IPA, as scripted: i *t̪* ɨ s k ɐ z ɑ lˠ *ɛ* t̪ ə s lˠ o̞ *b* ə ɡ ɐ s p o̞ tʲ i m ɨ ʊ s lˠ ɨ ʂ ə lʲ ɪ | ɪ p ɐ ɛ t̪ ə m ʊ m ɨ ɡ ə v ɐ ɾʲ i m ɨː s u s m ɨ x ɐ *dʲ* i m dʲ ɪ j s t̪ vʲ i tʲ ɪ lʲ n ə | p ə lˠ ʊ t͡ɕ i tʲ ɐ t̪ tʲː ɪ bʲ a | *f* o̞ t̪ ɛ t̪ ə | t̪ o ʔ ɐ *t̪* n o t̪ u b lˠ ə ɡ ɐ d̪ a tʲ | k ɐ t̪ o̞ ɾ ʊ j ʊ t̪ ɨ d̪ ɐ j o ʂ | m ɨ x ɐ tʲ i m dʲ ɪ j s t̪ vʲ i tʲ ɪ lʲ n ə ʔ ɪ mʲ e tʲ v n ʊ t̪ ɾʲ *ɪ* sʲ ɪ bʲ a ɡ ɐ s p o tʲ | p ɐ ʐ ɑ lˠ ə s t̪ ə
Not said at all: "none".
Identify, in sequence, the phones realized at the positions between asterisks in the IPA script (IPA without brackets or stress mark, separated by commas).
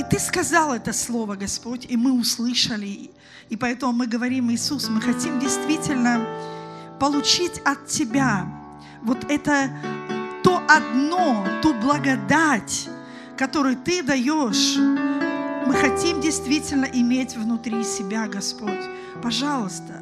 t̪, ɛ, v, tʲ, v, d̪, i